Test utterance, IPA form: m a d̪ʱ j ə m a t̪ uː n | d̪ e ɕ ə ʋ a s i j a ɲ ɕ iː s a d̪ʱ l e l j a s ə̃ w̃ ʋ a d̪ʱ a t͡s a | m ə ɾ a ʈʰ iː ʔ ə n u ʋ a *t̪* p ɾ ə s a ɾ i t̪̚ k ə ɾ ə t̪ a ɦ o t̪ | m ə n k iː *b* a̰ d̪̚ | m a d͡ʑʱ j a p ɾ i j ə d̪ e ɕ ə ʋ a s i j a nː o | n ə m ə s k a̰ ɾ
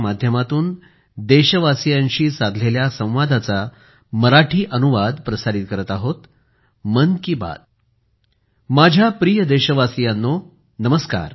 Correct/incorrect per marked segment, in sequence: incorrect, correct

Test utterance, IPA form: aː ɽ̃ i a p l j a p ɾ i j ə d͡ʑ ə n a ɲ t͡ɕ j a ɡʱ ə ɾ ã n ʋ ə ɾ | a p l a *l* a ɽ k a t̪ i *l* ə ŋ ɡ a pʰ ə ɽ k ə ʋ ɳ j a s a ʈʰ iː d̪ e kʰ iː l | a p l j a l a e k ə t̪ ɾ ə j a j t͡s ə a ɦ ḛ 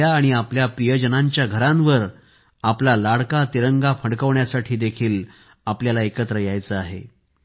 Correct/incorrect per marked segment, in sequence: correct, incorrect

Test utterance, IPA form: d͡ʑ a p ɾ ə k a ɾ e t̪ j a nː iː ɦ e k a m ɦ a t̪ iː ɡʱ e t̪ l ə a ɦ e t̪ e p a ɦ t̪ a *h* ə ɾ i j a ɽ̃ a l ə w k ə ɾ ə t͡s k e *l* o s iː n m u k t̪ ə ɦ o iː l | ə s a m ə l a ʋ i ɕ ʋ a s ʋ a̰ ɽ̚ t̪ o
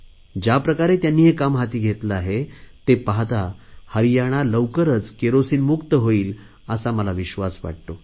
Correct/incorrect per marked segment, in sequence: correct, incorrect

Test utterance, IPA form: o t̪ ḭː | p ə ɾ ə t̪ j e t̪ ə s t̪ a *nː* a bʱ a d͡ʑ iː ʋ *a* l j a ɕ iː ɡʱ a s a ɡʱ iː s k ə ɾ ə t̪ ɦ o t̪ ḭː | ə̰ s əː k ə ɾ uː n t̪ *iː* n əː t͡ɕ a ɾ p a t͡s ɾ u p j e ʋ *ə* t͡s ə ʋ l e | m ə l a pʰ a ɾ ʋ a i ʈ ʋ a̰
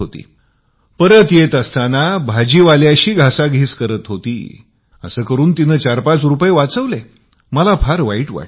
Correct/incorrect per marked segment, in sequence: incorrect, correct, incorrect, incorrect

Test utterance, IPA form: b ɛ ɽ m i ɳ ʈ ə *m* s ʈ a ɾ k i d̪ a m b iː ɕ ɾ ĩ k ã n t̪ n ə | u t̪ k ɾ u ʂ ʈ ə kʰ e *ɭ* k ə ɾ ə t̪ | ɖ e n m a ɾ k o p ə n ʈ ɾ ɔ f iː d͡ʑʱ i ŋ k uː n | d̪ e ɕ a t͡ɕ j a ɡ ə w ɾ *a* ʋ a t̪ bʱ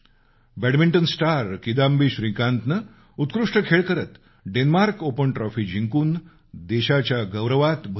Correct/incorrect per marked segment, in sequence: incorrect, correct, incorrect

